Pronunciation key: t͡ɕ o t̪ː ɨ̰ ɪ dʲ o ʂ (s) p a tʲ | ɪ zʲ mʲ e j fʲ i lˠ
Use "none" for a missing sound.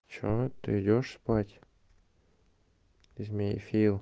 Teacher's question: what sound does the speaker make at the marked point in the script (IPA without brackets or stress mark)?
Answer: s